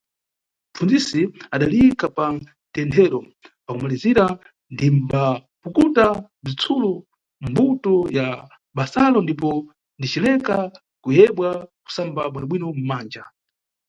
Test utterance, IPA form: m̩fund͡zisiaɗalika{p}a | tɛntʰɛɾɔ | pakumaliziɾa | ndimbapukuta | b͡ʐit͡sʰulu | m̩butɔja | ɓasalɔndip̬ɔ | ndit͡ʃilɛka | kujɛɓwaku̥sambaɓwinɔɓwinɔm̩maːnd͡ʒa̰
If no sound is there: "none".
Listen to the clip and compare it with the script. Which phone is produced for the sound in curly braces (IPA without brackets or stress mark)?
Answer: p